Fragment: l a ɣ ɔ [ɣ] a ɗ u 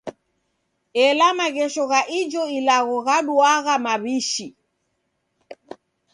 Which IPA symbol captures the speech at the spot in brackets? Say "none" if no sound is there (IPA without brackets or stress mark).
ɣ